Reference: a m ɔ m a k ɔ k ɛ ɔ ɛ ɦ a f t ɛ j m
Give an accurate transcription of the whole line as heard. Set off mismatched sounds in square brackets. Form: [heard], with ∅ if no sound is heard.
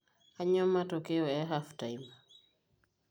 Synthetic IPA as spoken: a [ɲ] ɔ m a [t] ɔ k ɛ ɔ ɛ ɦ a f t [a] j m

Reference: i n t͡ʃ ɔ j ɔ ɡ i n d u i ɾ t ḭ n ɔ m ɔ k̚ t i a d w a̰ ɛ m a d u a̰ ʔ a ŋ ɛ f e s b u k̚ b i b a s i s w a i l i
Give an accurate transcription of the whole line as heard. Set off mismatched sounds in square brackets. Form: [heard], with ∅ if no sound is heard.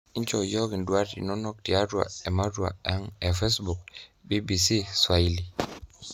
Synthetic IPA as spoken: i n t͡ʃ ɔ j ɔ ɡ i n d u [a] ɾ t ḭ n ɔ [n] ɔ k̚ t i a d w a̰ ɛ m a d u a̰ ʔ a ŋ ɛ f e s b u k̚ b i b [i] s i s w a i l i

